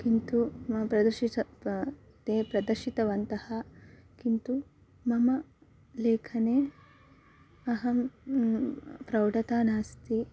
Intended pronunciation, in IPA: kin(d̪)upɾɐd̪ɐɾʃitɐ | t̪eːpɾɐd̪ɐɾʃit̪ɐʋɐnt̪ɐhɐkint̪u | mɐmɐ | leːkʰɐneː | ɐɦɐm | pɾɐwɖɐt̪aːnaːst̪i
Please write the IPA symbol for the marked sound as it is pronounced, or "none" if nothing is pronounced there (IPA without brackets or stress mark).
t̪